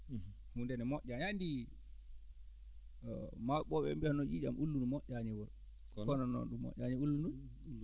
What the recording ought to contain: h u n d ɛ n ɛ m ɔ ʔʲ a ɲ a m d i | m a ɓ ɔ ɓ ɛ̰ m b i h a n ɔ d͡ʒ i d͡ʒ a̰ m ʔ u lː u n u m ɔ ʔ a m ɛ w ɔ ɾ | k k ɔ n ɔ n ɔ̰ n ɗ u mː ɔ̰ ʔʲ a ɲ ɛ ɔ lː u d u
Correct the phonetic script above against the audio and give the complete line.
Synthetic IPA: h u n d ɛ n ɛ m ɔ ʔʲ a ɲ a n d i | m a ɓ ɔ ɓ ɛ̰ m b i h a n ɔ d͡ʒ i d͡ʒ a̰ m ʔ u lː u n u m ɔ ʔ a ɲ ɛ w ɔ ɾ | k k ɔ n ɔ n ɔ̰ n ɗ u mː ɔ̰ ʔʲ a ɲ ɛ u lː u n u